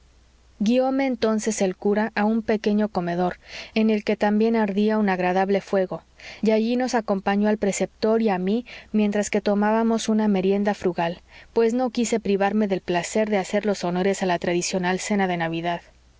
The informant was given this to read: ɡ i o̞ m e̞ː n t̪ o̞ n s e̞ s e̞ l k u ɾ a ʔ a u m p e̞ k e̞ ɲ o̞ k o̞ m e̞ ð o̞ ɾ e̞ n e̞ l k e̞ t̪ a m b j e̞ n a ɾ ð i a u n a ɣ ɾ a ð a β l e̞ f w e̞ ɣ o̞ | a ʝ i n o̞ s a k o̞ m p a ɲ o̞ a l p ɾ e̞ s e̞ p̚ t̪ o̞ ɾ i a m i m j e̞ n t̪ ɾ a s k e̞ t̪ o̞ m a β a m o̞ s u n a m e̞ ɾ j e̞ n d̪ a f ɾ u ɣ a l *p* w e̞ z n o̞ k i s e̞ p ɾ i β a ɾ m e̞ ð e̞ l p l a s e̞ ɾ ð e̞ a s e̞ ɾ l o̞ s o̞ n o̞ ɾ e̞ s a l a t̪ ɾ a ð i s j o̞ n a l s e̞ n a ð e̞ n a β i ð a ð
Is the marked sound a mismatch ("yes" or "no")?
no